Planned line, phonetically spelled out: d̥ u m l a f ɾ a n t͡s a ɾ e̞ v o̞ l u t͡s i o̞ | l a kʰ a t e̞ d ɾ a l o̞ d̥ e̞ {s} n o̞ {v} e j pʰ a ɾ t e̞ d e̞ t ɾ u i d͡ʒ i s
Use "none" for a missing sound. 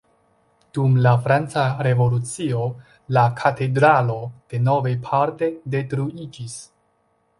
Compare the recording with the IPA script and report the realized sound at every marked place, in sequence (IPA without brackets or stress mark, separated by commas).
none, v